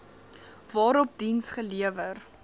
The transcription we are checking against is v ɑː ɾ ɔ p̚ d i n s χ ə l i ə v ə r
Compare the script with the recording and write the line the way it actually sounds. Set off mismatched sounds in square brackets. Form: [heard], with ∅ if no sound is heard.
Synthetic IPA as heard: v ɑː ɾ ɔ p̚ d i n s χ ə l i ə v ə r